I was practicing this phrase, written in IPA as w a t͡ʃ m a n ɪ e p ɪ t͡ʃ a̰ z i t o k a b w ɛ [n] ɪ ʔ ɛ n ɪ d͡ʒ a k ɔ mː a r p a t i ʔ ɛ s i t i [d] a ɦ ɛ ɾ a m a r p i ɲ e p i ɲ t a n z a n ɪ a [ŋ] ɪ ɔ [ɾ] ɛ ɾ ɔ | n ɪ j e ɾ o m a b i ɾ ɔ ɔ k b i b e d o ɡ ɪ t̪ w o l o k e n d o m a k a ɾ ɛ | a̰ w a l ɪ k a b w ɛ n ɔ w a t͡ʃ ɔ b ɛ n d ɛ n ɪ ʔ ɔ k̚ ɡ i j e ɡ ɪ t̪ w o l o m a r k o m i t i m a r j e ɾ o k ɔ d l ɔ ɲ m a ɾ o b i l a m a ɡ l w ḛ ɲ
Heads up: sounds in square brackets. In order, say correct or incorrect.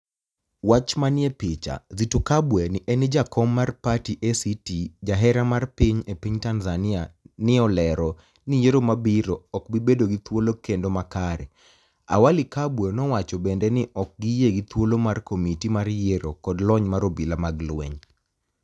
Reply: correct, incorrect, incorrect, incorrect

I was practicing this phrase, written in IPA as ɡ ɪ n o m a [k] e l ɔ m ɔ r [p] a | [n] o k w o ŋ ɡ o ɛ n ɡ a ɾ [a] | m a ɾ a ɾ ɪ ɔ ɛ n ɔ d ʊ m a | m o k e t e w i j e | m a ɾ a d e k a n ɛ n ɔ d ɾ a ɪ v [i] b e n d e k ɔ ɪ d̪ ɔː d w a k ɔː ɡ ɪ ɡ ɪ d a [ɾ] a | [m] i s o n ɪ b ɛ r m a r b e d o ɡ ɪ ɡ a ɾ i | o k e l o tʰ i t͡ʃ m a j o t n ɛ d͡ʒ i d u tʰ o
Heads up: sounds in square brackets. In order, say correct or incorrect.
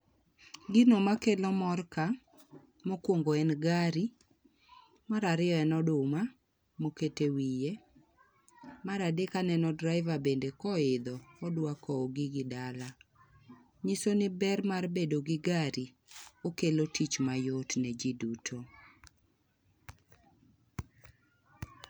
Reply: correct, incorrect, incorrect, incorrect, incorrect, incorrect, incorrect

